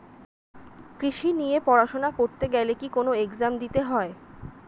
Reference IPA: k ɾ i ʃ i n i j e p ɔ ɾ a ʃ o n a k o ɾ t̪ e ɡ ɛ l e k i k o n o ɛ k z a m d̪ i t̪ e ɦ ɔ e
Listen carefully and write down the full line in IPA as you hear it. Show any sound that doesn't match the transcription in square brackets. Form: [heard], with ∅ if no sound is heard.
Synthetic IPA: k ɾ i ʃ i n i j e p ɔ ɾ a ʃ o n a k o ɾ t̪ e ɡ ɛ l e k i k o n o [e] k z a m d̪ i t̪ e ɦ ɔ e